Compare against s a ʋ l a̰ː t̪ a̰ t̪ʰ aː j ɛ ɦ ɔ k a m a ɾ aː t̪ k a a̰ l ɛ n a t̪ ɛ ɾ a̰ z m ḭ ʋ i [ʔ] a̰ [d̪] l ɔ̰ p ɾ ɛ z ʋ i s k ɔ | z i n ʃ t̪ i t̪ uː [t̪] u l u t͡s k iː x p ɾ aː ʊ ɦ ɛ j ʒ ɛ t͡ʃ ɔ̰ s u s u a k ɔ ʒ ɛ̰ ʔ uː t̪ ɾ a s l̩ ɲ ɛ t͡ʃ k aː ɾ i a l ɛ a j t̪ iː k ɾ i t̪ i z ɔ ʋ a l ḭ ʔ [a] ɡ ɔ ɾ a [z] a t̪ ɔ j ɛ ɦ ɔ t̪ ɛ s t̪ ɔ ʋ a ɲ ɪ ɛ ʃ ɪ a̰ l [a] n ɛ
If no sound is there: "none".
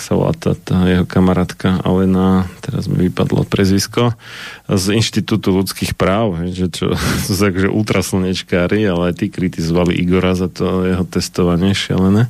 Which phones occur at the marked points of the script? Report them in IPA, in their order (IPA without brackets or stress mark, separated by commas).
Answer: p, d̪, t̪, i, z, ɛ